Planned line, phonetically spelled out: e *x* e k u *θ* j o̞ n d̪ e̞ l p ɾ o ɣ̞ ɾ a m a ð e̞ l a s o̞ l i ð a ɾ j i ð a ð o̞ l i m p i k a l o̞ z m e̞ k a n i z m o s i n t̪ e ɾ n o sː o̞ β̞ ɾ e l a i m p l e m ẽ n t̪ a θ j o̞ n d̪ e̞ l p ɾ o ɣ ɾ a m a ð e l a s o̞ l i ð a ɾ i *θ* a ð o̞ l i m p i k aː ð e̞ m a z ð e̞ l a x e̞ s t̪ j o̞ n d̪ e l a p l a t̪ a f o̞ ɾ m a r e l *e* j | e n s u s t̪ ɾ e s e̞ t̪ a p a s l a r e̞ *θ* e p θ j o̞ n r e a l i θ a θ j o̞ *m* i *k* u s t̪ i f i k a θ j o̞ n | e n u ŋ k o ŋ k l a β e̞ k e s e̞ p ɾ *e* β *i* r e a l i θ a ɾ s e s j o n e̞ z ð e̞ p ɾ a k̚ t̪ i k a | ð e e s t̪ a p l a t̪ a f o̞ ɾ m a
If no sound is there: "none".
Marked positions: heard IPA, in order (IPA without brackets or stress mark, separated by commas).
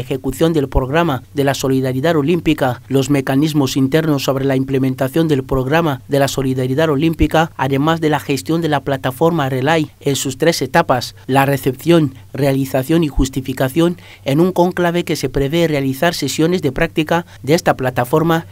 x, θ, ð, a, θ, n, x, e, e